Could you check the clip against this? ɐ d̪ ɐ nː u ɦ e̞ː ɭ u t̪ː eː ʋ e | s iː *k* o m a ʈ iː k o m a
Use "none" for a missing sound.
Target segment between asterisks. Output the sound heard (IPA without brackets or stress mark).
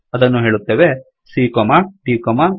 k